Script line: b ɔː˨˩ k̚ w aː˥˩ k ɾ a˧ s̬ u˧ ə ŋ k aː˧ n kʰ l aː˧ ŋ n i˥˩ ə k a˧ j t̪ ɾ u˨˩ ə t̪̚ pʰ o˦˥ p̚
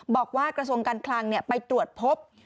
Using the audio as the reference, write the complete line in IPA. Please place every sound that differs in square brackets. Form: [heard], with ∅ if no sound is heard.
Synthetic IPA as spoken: b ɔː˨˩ k̚ w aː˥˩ k ɾ a˧ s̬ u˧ ə ŋ k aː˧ n kʰ l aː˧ ŋ n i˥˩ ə [p] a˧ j t̪ ɾ u˨˩ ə t̪̚ pʰ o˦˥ p̚

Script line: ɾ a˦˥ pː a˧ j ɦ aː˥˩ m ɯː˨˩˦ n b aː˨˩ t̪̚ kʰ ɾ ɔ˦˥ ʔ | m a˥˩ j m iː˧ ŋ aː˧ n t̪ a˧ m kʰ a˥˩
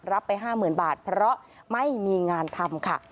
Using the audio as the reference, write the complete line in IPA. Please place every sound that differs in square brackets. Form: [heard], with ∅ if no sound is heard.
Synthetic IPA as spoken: ɾ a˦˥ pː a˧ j ɦ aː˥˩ m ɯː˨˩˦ n b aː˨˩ t̪̚ [pʰ] ɾ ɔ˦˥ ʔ | m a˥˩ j m iː˧ ŋ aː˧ n [t̪ʰ] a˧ m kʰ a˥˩

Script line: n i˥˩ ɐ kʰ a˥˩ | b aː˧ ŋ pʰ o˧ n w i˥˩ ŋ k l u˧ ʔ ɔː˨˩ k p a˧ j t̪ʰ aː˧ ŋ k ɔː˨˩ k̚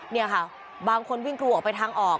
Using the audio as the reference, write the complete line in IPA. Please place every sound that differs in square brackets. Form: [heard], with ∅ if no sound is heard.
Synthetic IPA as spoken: n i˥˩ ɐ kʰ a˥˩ | b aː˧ ŋ [kʰ] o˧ n w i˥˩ ŋ k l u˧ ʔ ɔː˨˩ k p a˧ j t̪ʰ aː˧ ŋ [ʔ] ɔː˨˩ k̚

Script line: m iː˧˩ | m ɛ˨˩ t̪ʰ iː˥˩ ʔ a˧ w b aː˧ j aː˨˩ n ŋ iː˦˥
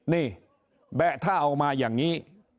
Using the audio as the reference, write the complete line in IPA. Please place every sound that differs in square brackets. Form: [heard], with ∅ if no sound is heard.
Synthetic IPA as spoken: [n] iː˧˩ | [b] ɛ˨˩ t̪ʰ [aː˥˩] ʔ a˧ w [m] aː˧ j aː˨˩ [ŋ] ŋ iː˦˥

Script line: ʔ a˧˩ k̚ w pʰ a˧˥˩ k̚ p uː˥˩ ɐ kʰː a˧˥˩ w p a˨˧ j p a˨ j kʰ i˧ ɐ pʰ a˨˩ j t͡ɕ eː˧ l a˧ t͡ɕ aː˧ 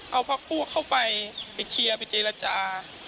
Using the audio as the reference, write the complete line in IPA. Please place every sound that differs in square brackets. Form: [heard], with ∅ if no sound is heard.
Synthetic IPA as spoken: ʔ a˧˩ [∅] w pʰ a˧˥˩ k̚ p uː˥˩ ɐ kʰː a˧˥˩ w p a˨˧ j p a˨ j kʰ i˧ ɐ [p] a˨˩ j t͡ɕ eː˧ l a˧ t͡ɕ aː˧

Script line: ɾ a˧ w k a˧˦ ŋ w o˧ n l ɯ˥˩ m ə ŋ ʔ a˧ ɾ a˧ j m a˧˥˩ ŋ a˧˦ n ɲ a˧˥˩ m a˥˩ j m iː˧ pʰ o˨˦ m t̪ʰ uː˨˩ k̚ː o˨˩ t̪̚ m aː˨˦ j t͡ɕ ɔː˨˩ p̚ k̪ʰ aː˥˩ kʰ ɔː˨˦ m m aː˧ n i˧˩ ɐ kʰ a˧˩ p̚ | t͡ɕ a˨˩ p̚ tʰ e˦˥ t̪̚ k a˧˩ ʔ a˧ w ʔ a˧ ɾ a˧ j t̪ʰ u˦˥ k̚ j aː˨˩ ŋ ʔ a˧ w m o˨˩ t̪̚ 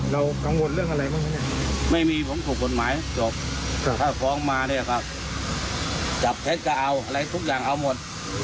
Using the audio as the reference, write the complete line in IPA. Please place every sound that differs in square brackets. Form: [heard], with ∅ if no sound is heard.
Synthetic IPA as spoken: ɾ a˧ w k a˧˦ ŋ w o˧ n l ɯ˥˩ [∅] ə ŋ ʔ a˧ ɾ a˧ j m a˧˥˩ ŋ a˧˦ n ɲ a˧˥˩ m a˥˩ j m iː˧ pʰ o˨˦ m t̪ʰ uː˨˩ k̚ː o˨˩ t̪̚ m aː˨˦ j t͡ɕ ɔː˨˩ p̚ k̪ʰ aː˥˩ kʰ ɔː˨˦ [ŋ] m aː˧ n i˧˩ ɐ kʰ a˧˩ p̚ | t͡ɕ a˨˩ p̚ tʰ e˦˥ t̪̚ k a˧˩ ʔ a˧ w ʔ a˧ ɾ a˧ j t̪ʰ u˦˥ k̚ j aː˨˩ ŋ ʔ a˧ w m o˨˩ t̪̚

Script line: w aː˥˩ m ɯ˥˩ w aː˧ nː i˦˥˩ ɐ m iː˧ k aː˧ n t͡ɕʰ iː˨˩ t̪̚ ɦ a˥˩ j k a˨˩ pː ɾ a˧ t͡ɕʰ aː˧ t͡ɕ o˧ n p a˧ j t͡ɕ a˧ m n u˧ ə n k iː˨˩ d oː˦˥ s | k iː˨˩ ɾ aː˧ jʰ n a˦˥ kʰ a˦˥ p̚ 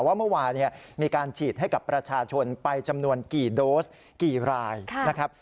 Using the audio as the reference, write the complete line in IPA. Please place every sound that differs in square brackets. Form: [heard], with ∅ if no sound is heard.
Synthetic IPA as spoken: w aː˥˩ m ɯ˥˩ w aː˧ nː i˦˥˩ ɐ m iː˧ k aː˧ n t͡ɕʰ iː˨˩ t̪̚ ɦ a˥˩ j k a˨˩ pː ɾ a˧ t͡ɕʰ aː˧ [t͡ɕʰ] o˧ n p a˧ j t͡ɕ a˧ m n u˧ ə n k iː˨˩ d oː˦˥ s | k iː˨˩ ɾ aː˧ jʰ n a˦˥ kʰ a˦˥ p̚

